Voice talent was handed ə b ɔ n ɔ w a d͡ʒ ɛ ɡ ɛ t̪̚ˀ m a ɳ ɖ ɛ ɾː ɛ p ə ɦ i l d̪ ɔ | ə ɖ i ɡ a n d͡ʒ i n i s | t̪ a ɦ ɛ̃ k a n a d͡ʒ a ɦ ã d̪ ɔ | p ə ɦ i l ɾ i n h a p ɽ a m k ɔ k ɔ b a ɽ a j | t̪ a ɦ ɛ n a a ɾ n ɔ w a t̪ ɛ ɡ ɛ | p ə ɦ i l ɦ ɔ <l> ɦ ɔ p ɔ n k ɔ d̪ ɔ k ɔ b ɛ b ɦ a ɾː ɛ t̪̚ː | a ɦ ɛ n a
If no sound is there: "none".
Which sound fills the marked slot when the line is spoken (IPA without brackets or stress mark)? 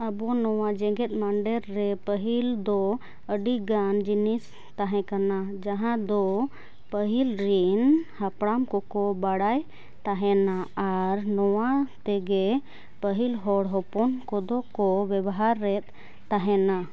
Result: ɽ